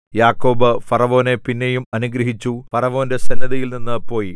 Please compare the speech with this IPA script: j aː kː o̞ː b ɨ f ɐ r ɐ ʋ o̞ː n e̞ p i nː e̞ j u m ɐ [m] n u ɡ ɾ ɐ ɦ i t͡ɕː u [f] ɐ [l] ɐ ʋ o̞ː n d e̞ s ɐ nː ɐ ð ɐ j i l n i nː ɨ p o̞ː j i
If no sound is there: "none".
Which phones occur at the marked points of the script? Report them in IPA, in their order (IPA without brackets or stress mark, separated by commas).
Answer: none, f, r